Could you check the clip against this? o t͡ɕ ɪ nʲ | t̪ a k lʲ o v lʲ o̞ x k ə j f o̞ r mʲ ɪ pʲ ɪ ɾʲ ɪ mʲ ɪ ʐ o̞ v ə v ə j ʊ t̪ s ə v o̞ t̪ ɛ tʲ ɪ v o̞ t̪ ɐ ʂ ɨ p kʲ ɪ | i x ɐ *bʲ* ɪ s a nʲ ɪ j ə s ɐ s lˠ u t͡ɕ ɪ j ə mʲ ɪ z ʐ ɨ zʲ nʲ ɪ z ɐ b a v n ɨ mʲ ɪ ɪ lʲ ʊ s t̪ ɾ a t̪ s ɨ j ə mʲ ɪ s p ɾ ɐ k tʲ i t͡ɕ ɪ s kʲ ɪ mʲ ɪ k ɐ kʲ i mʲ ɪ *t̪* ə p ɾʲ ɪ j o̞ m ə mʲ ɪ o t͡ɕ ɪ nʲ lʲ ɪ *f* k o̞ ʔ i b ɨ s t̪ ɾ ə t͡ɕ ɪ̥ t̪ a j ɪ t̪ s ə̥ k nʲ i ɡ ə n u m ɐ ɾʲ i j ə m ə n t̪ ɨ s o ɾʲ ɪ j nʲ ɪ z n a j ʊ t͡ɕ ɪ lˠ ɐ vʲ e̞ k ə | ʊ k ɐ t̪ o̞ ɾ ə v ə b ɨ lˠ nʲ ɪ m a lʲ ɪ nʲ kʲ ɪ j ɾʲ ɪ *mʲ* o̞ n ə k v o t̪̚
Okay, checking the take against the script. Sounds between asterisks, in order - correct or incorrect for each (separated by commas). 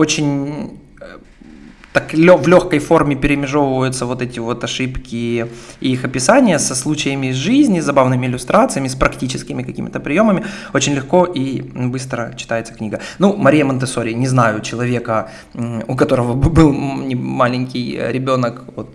incorrect, correct, incorrect, incorrect